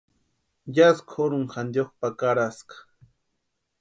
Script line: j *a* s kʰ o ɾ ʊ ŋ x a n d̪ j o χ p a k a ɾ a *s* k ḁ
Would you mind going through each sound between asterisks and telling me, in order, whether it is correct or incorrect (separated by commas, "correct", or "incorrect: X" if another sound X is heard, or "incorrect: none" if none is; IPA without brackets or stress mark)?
correct, correct